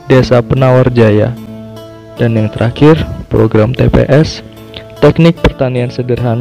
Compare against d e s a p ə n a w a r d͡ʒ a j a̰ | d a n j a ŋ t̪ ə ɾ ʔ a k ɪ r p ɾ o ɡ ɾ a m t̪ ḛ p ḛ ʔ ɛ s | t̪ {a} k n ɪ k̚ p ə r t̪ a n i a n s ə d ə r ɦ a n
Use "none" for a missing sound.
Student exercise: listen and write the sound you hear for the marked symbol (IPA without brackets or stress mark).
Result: ɛ